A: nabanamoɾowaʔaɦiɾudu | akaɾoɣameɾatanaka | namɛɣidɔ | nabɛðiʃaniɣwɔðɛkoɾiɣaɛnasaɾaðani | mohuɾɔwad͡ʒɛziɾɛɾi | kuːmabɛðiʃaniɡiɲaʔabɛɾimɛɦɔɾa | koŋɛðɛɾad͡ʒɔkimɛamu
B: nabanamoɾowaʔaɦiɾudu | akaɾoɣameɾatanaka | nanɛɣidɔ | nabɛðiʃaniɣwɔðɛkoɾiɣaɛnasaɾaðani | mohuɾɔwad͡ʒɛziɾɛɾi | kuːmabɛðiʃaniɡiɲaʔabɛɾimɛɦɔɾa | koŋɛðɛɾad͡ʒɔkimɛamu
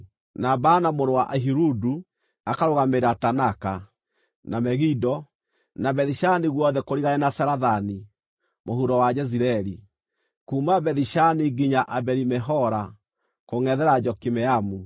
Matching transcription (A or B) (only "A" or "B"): A